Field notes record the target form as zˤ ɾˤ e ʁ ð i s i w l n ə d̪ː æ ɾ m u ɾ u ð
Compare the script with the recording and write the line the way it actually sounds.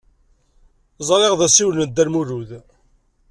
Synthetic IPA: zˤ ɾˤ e ʁ ð æ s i w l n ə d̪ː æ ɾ m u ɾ u ð